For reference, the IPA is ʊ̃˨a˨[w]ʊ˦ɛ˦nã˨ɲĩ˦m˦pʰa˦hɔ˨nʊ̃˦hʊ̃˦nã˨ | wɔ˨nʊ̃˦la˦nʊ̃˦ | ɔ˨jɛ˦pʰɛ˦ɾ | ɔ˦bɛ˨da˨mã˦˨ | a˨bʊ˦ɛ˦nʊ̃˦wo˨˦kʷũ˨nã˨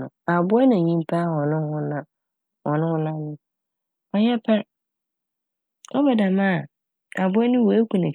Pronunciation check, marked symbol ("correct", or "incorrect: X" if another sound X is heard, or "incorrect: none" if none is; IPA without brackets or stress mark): incorrect: b